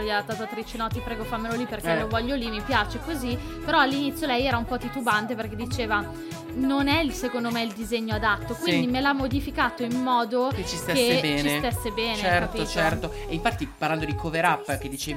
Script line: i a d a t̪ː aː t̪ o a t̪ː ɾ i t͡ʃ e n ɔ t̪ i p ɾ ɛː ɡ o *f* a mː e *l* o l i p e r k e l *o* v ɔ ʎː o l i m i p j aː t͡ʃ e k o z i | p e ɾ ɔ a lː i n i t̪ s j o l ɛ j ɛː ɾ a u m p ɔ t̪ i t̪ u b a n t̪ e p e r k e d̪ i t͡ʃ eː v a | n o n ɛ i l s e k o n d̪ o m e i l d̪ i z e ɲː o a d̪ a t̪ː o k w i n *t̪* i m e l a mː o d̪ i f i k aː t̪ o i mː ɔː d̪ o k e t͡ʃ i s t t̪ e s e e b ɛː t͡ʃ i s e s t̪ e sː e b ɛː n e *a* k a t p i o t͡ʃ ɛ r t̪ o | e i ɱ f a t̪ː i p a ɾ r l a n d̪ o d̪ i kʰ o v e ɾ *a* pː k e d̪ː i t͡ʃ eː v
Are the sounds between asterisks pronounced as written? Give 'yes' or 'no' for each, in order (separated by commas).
yes, yes, yes, no, no, yes